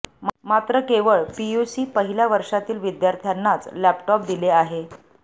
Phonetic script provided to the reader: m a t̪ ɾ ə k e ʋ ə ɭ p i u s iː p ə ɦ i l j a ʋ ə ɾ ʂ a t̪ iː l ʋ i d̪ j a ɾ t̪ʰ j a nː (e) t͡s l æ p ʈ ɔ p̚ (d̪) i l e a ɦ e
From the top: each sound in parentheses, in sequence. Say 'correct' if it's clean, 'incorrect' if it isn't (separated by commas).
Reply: incorrect, correct